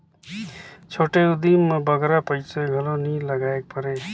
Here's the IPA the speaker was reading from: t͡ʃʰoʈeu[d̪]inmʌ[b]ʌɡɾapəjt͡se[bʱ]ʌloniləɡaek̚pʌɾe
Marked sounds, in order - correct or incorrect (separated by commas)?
correct, correct, incorrect